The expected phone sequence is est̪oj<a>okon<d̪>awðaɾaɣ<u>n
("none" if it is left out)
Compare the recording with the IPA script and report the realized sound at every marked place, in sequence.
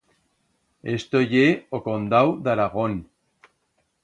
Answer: e, d̪, o

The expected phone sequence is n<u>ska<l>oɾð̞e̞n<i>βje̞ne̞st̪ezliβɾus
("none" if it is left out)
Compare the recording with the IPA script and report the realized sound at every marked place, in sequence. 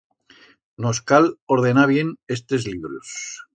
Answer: o, l, a

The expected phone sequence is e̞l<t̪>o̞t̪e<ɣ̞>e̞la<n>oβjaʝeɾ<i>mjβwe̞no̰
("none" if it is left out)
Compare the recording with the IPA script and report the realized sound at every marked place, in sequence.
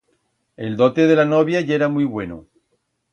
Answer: d̪, ð̞, n, a

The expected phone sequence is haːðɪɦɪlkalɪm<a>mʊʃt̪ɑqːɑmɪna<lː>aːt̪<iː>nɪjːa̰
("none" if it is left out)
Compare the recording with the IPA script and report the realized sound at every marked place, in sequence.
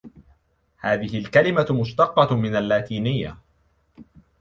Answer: a, lː, iː

